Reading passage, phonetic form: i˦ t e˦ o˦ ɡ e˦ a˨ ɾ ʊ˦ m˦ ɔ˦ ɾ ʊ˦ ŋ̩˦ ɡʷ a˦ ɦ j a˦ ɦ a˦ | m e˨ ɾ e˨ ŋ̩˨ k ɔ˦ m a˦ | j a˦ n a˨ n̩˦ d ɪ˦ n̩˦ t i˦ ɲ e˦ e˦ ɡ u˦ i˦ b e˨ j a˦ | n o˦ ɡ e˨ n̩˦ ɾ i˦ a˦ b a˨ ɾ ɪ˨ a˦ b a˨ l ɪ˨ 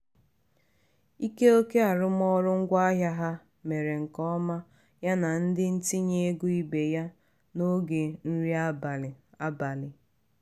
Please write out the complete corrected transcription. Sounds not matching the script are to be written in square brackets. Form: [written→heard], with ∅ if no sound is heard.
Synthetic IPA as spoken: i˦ [t→k] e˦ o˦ [ɡ→k] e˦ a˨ ɾ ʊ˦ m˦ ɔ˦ ɾ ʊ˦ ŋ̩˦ ɡʷ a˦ ɦ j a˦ ɦ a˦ | m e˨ ɾ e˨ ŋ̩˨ k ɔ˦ m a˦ | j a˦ n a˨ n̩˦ d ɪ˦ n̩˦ t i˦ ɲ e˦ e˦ ɡ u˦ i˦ b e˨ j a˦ | n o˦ ɡ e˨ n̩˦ ɾ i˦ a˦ b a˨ [ɾ→l] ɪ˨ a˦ b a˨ l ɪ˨